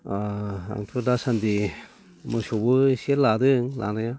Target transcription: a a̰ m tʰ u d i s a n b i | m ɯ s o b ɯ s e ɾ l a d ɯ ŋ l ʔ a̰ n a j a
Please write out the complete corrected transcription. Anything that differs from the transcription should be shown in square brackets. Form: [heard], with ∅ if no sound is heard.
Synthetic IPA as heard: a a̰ [ŋ] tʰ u d [a] s a n [d] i | m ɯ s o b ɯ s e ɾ l a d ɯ ŋ l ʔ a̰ n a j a